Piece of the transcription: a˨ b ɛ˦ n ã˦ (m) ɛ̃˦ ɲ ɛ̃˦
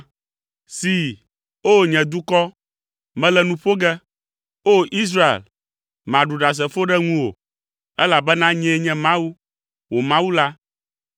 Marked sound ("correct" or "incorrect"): incorrect